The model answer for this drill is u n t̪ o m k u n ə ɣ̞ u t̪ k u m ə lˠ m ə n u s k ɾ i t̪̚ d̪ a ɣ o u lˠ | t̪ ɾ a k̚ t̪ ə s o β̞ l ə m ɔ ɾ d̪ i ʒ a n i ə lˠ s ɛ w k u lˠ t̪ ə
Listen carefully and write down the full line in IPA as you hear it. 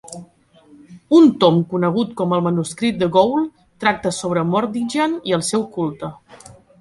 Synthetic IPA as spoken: u n t̪ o m k u n ə ɣ̞ u t̪ k ɔ m ə lˠ m ə n u s k ɾ i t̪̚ d̪ ə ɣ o w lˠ | t̪ ɾ a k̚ t̪ ə s o β̞ ɾ ə m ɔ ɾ d̪ i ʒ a n i ə lˠ s ɛ w k u lˠ t̪ ə